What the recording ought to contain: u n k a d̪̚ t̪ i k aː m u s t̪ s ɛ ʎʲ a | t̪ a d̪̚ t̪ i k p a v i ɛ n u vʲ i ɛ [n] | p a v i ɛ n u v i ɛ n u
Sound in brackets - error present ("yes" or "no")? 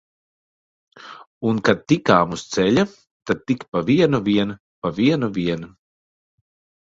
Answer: no